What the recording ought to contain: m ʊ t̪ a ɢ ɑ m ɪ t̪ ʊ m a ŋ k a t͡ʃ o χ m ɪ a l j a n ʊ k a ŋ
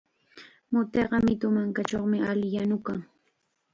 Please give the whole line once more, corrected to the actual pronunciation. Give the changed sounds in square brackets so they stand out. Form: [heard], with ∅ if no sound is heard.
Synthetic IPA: m ʊ t̪ [e] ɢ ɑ m ɪ t̪ ʊ m a ŋ k a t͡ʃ o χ m ɪ a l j a n ʊ k a ŋ